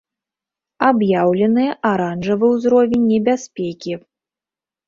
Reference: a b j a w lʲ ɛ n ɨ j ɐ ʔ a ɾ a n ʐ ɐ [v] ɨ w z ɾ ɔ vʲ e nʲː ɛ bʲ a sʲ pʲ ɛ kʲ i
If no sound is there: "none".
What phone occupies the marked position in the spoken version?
v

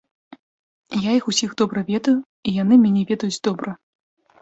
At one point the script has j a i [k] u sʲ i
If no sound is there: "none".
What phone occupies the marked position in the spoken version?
x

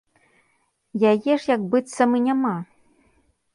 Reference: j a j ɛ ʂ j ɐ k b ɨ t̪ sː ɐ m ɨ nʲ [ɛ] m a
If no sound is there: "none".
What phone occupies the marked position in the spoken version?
a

